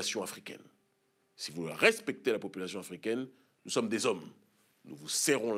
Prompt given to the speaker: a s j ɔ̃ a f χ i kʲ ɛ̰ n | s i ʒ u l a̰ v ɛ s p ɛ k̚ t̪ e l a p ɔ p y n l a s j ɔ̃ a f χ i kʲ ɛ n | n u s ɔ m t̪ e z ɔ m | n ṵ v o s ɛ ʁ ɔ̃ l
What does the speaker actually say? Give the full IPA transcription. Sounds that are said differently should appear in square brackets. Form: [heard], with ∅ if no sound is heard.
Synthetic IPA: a s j ɔ̃ a f χ i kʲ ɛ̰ n | s i [v] u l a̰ [ʁ] ɛ s p ɛ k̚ t̪ e l a p ɔ p y [∅] l a s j ɔ̃ a f χ i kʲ ɛ n | n u s ɔ m [d̪] e z ɔ m | n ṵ v [u] s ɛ ʁ ɔ̃ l